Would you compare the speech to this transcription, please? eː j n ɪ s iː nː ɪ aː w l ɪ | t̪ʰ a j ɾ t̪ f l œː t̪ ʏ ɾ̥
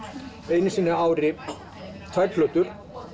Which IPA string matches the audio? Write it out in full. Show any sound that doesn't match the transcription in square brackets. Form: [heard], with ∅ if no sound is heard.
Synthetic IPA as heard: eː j n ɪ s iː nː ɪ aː w [ɾ] ɪ | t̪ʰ a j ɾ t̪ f l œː t̪ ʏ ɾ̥